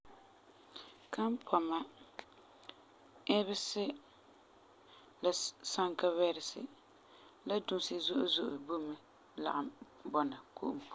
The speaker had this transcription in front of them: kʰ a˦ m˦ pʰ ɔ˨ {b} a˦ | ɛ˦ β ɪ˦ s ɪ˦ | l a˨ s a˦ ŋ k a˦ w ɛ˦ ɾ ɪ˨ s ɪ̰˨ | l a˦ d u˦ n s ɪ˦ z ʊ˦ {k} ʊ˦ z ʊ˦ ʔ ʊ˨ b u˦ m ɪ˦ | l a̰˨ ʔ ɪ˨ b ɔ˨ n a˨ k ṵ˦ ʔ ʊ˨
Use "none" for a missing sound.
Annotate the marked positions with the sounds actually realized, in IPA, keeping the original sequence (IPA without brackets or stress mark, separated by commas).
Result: m, ʔ